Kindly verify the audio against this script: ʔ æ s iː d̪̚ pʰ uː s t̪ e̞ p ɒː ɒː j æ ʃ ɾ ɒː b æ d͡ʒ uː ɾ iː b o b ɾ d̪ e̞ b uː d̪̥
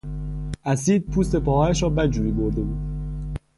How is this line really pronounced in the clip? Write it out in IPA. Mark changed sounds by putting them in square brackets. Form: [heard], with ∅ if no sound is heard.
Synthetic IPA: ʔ æ s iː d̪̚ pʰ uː s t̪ e̞ p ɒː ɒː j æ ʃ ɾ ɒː b æ d͡ʒ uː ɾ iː b o [∅] ɾ d̪ e̞ b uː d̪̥